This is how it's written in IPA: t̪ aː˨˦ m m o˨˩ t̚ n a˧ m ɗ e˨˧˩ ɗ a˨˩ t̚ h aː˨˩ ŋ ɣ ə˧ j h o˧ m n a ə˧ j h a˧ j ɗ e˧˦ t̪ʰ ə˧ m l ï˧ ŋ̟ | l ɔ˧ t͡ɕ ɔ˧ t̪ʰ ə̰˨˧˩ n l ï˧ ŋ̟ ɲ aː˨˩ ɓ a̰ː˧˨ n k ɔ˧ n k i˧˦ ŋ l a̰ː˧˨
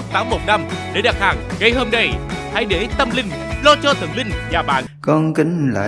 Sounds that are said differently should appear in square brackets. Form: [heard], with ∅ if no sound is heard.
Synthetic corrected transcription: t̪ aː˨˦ m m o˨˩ t̚ n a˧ m ɗ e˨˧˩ ɗ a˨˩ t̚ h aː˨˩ ŋ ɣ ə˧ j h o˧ m n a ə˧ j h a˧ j ɗ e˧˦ [t̪] ə˧ m l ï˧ ŋ̟ | l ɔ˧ t͡ɕ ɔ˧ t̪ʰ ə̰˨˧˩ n l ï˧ ŋ̟ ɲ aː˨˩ ɓ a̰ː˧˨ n k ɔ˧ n k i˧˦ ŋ l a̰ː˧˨